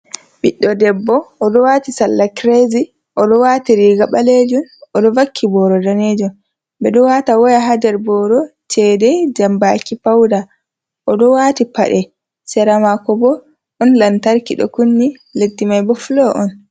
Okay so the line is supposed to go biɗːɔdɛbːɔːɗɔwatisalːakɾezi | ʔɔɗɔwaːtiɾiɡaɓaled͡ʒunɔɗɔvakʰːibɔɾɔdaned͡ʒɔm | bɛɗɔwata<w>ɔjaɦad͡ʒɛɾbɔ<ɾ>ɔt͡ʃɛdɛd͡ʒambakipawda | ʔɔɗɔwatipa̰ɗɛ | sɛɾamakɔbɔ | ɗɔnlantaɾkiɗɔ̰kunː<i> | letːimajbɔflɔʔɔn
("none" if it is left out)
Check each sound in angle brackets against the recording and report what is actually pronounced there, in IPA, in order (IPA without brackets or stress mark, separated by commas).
w, ɾ, i